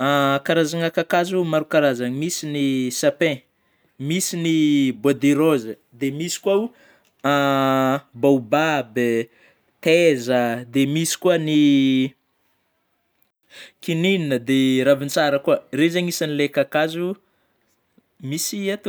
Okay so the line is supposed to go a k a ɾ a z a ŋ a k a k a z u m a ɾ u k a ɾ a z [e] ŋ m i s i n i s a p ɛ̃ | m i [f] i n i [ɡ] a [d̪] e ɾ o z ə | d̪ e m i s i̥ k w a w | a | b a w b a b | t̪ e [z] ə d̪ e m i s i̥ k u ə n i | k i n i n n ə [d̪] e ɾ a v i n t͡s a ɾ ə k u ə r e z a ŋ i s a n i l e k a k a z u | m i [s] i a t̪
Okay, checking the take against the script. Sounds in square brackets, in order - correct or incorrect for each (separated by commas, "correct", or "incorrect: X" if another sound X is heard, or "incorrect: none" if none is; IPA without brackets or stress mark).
incorrect: a, incorrect: s, incorrect: b, correct, correct, correct, correct